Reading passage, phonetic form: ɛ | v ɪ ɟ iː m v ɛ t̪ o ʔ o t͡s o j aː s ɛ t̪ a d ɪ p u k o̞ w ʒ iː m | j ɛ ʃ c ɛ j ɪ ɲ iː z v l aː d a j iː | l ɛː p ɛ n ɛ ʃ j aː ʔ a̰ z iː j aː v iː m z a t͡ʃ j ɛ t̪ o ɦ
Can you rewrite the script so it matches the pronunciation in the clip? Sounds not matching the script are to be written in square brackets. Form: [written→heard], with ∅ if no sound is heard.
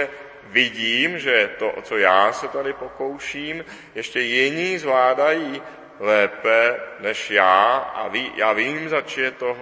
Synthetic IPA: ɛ | v ɪ ɟ iː m [v→ʒ] ɛ t̪ o ʔ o t͡s o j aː s ɛ t̪ a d ɪ p [u→o] k o̞ w [ʒ→ʃ] iː m | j ɛ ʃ c ɛ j ɪ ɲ iː z v l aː d a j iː | l ɛː p ɛ n ɛ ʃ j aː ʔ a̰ [z→v] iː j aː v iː m z a t͡ʃ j ɛ t̪ o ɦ